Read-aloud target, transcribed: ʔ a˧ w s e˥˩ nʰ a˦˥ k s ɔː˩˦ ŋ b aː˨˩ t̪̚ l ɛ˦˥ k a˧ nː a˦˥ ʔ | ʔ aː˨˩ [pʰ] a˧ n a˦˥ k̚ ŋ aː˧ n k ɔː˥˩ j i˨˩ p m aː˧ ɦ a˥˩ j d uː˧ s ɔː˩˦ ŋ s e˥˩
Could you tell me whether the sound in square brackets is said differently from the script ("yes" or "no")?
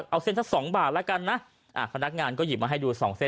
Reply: no